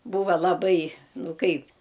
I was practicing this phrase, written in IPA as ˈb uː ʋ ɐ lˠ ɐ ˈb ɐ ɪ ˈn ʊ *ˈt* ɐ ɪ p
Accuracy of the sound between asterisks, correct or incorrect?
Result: incorrect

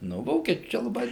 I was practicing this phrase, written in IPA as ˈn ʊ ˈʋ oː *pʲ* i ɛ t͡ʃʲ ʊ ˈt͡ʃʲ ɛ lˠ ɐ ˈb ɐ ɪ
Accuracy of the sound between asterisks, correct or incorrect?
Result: incorrect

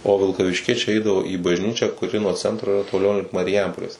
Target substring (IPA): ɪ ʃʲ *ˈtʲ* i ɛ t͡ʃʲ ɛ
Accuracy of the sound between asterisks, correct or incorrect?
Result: incorrect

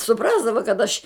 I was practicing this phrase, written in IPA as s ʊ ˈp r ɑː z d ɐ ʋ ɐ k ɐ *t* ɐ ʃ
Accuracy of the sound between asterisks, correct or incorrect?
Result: correct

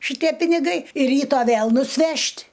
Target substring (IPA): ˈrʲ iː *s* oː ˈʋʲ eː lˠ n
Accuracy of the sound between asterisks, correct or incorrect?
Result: incorrect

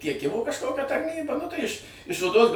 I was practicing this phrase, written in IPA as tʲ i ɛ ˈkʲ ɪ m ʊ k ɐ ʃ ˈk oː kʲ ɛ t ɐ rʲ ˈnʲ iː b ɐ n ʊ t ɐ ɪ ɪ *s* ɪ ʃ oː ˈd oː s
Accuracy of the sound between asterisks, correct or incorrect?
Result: incorrect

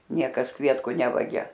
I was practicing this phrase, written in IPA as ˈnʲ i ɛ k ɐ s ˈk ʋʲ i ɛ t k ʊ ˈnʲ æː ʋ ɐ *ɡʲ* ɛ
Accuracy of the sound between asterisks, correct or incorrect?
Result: correct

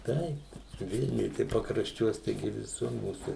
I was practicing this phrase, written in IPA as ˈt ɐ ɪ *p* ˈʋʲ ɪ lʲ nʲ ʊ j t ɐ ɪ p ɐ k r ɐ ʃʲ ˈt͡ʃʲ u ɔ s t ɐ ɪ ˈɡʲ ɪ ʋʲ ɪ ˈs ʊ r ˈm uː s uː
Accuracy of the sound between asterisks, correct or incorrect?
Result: correct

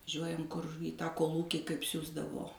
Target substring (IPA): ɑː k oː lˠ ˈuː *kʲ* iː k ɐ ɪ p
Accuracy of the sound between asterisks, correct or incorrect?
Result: correct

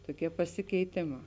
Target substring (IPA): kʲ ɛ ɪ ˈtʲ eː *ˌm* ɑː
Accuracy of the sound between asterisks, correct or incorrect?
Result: correct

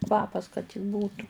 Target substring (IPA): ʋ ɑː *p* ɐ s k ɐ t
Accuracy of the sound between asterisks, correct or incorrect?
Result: correct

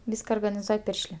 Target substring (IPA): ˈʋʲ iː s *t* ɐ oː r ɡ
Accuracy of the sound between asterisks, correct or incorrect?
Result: incorrect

